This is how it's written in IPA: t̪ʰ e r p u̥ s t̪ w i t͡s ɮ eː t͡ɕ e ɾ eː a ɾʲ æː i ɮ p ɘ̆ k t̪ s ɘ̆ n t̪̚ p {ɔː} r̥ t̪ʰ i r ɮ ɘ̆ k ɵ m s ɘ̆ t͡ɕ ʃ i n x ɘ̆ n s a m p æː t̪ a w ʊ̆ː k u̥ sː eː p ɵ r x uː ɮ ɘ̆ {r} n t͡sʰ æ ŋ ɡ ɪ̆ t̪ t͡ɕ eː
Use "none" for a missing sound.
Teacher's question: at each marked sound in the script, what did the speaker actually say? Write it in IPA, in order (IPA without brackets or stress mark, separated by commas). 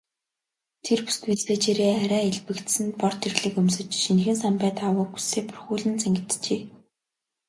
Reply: ɔ, none